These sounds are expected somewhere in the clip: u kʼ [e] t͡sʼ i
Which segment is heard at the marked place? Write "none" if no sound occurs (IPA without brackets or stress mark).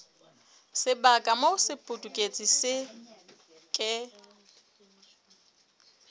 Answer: e